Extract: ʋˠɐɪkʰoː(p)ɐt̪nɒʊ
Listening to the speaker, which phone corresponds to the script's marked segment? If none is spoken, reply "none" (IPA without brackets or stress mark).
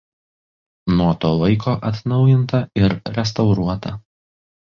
ʔ